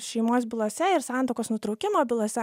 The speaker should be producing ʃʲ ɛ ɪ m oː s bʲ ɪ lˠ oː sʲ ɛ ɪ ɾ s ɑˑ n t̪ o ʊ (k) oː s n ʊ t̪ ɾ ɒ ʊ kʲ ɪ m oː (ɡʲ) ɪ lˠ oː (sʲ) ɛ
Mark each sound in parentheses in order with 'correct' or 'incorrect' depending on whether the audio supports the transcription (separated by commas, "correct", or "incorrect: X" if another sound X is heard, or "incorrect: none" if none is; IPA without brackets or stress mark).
correct, incorrect: bʲ, correct